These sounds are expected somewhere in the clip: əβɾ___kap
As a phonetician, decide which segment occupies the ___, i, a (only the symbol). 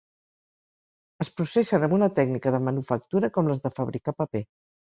i